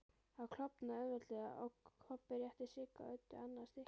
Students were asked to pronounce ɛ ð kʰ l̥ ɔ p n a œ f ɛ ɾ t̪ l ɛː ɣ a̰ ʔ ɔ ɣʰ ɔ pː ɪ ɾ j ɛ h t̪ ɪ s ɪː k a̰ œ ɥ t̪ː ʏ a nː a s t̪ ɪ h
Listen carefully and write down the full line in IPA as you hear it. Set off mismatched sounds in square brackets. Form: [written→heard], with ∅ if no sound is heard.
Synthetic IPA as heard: [ɛ→a] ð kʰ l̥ ɔ p n a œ [f→v] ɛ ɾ t̪ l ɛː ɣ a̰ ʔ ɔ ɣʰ ɔ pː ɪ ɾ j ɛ h t̪ ɪ s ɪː k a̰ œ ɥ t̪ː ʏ a nː a s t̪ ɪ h